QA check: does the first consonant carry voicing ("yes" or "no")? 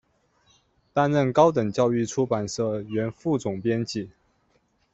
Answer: no